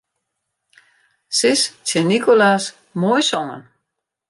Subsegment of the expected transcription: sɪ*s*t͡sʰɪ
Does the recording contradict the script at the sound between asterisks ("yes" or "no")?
no